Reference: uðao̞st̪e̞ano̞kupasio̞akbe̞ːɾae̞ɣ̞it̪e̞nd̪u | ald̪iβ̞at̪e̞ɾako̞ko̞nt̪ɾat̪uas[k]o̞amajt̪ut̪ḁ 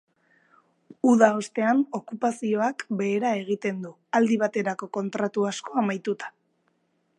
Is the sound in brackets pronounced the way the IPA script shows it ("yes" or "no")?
yes